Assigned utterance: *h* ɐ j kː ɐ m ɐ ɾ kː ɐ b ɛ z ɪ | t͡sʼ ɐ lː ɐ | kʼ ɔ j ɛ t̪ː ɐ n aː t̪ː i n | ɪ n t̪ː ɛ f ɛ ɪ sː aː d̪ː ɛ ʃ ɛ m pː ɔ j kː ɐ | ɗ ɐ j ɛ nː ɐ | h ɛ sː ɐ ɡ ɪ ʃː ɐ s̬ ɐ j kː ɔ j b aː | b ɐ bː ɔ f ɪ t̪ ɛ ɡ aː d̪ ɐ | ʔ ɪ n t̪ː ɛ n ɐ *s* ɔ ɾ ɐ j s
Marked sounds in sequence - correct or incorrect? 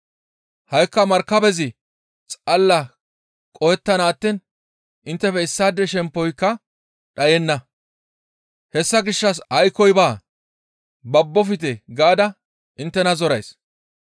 correct, incorrect: z

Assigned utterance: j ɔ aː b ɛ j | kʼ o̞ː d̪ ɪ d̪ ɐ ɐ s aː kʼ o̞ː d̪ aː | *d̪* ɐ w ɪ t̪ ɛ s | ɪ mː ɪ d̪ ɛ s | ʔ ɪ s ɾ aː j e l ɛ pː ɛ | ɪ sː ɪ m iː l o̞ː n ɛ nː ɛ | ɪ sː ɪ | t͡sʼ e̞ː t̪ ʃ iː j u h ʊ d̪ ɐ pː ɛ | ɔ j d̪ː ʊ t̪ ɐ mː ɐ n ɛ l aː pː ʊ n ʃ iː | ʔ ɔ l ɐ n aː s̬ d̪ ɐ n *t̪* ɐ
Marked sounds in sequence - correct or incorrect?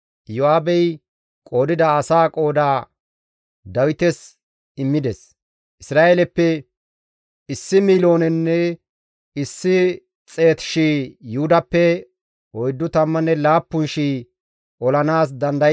correct, incorrect: d̪

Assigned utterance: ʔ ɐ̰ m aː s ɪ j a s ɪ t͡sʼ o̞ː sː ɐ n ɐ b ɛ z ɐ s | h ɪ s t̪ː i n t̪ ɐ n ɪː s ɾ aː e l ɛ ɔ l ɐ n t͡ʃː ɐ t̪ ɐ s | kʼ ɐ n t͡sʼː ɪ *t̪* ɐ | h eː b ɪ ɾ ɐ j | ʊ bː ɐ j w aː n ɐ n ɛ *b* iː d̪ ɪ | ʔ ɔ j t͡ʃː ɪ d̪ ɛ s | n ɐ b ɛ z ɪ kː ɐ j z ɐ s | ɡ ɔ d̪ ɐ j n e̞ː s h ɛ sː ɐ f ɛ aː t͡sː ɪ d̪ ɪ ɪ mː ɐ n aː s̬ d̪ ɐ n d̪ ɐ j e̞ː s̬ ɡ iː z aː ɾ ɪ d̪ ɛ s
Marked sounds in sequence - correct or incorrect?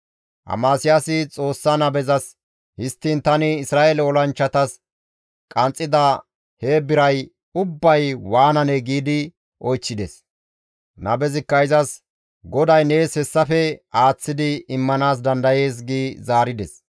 incorrect: d̪, incorrect: ɡ

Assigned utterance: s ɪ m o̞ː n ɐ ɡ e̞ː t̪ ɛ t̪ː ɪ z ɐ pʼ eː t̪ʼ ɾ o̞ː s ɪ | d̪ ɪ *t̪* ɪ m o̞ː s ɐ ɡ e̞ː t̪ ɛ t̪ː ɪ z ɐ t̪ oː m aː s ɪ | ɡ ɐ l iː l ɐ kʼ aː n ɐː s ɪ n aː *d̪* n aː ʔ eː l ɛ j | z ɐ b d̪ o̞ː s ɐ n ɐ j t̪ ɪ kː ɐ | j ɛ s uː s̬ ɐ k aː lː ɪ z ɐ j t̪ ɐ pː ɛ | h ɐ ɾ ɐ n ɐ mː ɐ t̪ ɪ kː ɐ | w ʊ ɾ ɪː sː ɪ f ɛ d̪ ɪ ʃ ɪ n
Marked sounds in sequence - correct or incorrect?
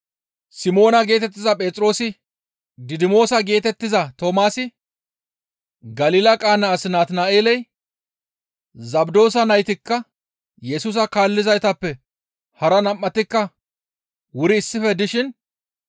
incorrect: d̪, incorrect: t̪

